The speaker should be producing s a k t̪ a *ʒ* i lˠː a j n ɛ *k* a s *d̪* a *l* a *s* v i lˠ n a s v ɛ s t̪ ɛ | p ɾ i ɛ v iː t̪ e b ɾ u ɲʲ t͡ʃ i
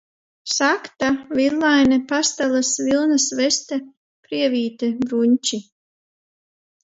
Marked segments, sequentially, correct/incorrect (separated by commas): incorrect, incorrect, incorrect, correct, correct